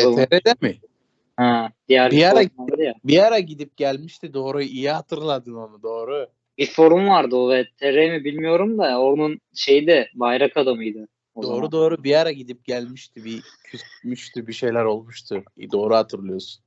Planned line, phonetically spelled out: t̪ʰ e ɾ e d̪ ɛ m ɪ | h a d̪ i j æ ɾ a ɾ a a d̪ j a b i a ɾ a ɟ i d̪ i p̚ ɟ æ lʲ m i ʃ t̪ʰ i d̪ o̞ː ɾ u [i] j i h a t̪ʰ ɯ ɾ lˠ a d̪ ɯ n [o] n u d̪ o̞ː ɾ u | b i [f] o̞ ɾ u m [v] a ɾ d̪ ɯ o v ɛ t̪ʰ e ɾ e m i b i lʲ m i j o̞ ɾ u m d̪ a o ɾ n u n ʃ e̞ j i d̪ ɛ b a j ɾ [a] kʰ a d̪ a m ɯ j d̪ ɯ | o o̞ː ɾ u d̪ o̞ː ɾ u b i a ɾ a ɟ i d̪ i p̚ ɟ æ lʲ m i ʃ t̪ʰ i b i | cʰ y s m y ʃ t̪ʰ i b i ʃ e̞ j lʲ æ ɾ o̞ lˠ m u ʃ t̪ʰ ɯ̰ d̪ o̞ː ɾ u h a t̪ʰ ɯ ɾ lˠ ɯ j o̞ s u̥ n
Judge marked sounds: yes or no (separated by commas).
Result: yes, yes, yes, yes, yes